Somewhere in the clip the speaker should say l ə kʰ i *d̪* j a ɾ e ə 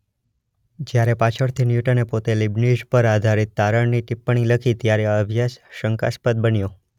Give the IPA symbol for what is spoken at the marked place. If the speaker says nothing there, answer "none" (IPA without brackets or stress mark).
t̪